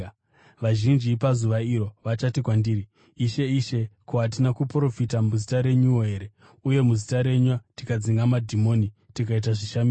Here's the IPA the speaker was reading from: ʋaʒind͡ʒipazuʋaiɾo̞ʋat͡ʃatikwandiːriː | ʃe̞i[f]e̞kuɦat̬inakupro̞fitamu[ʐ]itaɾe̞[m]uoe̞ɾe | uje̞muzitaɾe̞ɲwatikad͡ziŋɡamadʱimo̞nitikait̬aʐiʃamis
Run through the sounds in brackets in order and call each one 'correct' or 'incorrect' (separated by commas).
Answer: incorrect, incorrect, incorrect